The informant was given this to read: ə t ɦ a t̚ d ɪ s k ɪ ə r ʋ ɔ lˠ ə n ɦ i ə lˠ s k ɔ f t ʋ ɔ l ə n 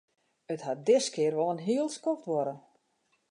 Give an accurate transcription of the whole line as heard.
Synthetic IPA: ə t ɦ a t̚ d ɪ s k ɪ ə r ʋ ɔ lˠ ə n ɦ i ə lˠ s k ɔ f t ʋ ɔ ɾ ə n

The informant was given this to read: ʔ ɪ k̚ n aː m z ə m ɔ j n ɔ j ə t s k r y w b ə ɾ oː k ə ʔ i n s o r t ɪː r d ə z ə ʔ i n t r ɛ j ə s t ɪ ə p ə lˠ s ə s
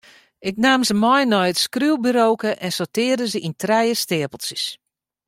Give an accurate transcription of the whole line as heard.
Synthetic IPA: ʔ ɪ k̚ n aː m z ə m ɔ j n ɔ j ə t s k r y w b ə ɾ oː k ə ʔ ɛ n s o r t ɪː r d ə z ə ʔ i n t r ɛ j ə s t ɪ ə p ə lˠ s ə s

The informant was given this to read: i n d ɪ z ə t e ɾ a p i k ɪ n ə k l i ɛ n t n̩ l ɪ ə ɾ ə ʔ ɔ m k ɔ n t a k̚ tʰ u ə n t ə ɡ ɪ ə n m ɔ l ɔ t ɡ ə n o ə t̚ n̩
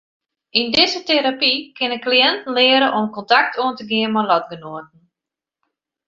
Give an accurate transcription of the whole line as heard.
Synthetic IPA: i n d ɪ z ə t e ɾ a p i k ɪ n ə k l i ɛ n t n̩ l ɪ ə ɾ ə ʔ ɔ m k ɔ n t a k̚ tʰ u ə n t ə ɡ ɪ ə n m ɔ l ɔ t ɡ ə n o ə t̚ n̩

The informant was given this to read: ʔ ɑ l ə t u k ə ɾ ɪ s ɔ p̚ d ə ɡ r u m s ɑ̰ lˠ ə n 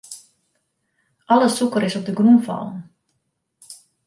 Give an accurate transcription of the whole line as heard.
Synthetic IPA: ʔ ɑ l ə s u k ə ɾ ɪ s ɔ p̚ d ə ɡ r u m f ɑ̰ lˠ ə n

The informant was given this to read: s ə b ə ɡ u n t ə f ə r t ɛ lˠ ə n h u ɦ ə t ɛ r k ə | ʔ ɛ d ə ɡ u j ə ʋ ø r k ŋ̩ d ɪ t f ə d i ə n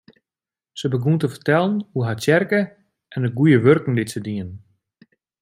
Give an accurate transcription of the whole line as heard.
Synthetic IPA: s ə b ə ɡ u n t ə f ə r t ɛ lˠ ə n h u ɦ a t ɛ r k ə | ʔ ɛ n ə ɡ u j ə ʋ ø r k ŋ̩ d ɪ t s ə d i ə n

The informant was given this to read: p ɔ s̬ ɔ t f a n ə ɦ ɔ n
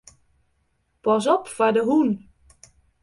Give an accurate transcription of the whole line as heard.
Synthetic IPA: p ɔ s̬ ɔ p f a d ə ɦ u n

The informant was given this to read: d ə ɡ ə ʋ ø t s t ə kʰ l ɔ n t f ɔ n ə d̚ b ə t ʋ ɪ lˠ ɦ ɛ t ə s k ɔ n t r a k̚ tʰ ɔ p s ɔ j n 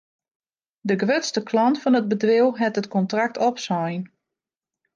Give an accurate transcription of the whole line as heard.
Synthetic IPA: d ə ɡ ə ʋ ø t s t ə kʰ l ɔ n t f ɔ n ə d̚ b ə d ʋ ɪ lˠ ɦ ɛ t ə t k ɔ n t r a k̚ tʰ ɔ p s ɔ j n

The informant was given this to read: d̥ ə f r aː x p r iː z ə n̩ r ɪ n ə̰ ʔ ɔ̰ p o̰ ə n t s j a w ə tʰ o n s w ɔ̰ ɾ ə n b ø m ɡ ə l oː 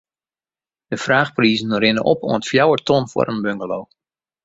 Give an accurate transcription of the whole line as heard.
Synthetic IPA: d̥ ə f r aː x p r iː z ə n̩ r ɪ n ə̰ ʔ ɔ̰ p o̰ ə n t f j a w ə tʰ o n f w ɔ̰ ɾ ə n b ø ŋ ɡ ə l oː

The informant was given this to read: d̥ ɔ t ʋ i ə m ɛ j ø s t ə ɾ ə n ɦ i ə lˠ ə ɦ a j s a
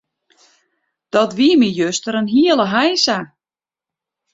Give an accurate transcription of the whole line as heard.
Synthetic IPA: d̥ ɔ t ʋ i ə m i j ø s t ə ɾ ə n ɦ i ə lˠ ə ɦ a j s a

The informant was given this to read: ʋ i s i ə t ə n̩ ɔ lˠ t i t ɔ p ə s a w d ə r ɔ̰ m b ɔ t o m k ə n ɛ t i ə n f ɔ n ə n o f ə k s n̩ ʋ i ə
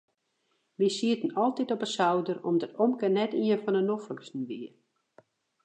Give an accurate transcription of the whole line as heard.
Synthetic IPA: ʋ i s i ə t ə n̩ ɔ lˠ t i t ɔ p ə s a w d ə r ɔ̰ m d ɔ t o m k ə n ɛ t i ə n f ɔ n ə n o f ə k s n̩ ʋ i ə

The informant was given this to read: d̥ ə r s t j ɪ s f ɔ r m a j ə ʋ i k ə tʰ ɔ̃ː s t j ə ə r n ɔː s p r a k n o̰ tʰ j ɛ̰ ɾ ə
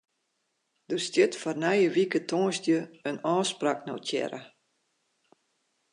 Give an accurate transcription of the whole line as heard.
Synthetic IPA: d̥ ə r s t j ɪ t f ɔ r n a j ə ʋ i k ə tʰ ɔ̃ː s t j ə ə n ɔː s p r a k n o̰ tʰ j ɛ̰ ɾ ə

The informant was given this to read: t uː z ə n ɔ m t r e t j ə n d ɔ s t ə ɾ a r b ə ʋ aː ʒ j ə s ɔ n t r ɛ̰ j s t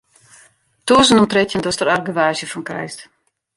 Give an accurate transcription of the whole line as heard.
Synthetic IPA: t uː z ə n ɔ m t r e t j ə n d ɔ s t ə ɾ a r ɡ ə ʋ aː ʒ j ə f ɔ n k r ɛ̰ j s t

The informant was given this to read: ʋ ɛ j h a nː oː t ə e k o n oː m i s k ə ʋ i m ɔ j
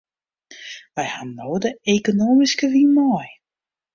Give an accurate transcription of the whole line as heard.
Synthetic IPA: ʋ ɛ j h a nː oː d ə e k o n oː m i s k ə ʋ i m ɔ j

